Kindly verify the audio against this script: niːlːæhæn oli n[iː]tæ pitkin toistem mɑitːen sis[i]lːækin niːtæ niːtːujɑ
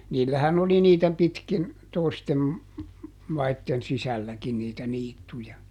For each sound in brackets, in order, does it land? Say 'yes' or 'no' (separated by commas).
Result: yes, no